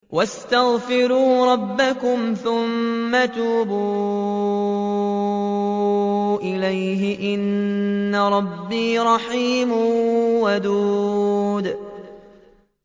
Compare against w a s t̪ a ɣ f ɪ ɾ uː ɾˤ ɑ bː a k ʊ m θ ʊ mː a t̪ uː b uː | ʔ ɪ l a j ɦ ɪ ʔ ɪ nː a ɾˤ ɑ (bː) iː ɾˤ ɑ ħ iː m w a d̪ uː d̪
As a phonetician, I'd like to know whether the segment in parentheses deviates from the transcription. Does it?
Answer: no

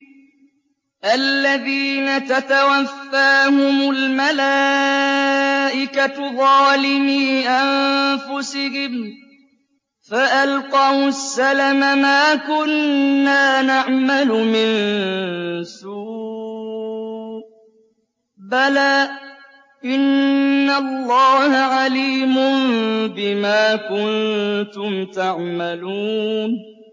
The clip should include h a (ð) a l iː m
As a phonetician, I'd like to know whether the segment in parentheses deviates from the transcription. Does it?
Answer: yes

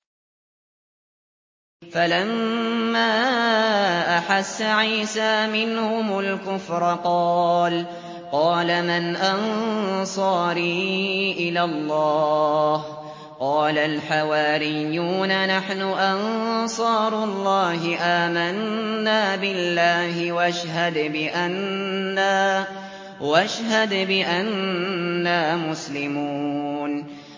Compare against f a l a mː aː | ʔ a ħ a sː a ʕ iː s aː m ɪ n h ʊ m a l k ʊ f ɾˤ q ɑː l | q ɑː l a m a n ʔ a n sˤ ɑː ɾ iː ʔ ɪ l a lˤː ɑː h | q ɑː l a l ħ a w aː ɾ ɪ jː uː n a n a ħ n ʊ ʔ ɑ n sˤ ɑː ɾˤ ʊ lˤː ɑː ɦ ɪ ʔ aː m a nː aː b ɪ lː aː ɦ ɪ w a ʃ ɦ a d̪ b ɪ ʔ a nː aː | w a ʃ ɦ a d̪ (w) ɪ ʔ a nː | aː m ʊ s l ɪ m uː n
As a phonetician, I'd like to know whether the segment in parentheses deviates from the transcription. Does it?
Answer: yes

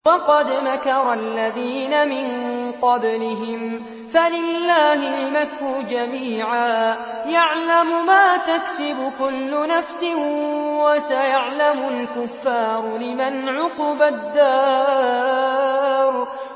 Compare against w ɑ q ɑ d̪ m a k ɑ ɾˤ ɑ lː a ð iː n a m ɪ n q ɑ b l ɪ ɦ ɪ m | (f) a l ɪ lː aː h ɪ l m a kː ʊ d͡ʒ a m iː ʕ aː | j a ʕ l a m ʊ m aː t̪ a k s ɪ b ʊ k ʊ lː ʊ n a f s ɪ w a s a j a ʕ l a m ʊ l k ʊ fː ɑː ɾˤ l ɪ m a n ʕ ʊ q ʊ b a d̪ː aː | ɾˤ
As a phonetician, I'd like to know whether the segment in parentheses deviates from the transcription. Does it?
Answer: no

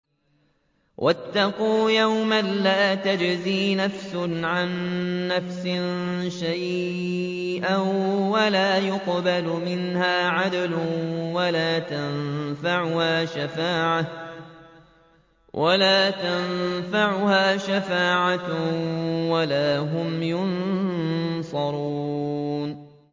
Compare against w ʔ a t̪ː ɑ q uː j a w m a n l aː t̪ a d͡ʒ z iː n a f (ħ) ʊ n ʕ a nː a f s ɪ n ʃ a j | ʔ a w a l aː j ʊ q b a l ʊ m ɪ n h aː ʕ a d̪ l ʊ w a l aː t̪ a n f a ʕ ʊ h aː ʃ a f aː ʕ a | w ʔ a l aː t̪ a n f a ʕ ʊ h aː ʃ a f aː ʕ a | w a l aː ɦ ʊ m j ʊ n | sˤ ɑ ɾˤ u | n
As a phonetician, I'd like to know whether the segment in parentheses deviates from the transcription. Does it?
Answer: yes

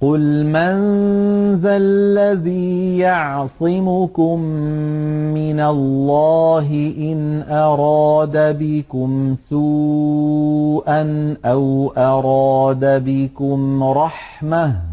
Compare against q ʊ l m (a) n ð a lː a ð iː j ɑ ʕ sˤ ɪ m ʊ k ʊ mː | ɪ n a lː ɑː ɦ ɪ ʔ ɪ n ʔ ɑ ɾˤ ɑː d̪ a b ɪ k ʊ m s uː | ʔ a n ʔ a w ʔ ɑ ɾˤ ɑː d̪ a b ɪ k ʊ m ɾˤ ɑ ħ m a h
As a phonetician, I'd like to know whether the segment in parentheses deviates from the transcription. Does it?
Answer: no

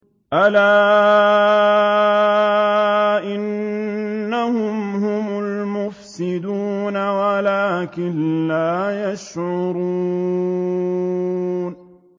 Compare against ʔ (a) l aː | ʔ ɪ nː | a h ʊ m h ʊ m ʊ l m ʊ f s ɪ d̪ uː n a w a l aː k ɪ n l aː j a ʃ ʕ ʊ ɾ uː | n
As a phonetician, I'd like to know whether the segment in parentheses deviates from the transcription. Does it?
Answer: no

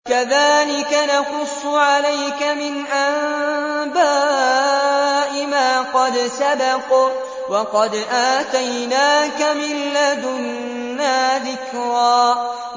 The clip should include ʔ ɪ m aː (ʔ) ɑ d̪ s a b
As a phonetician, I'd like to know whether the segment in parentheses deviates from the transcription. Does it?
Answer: yes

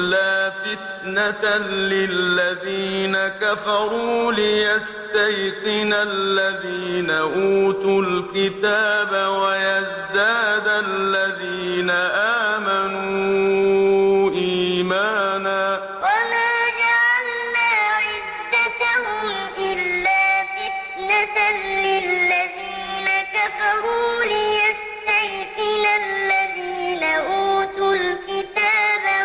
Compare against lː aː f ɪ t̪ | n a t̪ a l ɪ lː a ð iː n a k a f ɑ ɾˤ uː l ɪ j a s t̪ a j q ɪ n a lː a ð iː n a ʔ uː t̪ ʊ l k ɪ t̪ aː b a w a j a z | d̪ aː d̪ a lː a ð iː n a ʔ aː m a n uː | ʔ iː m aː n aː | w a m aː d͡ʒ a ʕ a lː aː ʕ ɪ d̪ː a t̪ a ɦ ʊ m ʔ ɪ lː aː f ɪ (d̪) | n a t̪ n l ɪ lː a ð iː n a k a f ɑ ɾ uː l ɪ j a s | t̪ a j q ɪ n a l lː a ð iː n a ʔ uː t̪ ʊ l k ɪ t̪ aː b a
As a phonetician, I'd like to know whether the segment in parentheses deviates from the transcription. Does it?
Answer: yes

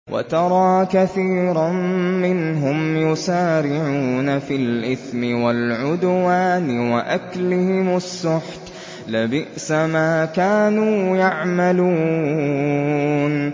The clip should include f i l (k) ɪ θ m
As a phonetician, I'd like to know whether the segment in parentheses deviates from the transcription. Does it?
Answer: yes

